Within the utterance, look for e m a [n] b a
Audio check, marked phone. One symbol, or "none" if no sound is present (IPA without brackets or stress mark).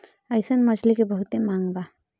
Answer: ŋ